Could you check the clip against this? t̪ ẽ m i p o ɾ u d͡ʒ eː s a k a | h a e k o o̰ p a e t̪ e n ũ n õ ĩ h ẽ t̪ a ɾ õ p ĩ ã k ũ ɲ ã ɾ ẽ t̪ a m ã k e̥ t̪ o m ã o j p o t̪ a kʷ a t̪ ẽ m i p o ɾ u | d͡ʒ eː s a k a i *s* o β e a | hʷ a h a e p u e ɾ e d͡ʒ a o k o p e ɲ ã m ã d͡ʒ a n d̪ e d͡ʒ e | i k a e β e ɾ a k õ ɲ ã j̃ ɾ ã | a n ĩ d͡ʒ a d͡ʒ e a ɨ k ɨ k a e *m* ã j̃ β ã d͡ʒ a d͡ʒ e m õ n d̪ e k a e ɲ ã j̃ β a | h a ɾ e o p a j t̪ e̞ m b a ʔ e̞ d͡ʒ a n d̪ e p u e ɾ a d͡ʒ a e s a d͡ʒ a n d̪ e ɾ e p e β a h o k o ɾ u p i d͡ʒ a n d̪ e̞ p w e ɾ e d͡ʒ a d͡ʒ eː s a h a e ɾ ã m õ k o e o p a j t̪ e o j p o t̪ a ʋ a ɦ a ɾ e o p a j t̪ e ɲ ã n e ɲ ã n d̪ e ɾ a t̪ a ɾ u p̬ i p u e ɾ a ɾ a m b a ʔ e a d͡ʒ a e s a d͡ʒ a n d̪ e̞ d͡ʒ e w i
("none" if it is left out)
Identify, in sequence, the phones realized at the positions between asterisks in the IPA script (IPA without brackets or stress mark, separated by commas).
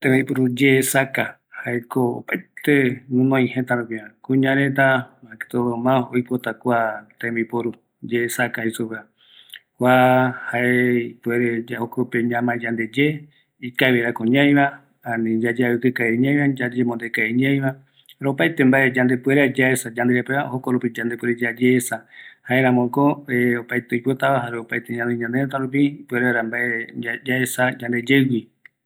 s, ɲ